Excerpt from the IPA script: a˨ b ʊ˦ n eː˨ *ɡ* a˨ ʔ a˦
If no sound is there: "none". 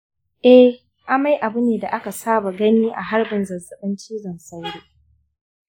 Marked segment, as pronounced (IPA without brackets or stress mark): d